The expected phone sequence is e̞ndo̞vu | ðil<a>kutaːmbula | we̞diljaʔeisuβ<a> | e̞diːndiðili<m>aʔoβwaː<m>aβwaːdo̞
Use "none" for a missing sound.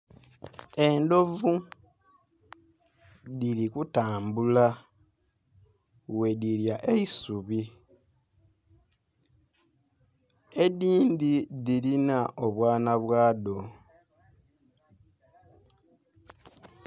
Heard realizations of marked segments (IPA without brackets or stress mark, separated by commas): i, i, n, n